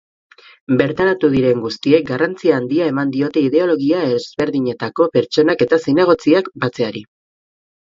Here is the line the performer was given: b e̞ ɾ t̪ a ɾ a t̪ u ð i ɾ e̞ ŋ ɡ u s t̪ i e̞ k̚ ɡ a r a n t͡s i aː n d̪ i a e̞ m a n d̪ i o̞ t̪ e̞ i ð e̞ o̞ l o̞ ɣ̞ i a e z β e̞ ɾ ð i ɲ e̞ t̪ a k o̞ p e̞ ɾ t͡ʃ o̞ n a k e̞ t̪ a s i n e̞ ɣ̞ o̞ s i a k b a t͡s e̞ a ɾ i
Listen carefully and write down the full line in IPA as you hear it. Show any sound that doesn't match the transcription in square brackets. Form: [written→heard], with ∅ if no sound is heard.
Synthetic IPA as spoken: b e̞ ɾ t̪ a ɾ a t̪ u ð i ɾ e̞ ŋ ɡ u s t̪ i e̞ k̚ ɡ a r a n t͡s i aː n d̪ i a e̞ m a n d̪ i o̞ t̪ e̞ i ð e̞ o̞ l o̞ ɣ̞ i a e z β e̞ ɾ ð i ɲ e̞ t̪ a k o̞ p e̞ ɾ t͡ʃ o̞ n a k e̞ t̪ a s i n e̞ ɣ̞ o̞ [s→t͡s] i a k b a t͡s e̞ a ɾ i